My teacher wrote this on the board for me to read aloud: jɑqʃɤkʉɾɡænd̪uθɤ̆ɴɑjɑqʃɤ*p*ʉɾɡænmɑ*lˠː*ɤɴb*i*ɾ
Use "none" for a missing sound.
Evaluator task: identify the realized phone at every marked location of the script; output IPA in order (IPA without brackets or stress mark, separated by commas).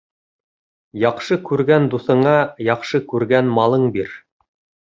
k, lˠ, i